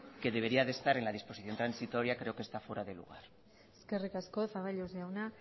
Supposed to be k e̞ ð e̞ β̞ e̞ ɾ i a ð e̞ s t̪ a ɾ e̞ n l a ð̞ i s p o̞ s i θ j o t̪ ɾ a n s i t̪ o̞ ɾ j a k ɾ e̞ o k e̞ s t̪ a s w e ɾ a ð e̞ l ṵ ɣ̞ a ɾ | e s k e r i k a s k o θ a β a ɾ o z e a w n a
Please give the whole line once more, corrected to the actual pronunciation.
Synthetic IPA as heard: k e̞ ð e̞ β̞ e̞ ɾ i a ð e̞ s t̪ a ɾ e̞ n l a ð̞ i s p o̞ s i θ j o t̪ ɾ a n s i t̪ o̞ ɾ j a k ɾ e̞ o k e̞ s t̪ a f w e ɾ a ð e̞ l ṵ ɣ̞ a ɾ | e s k e r i k a s k o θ a β a ʎ o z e a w n a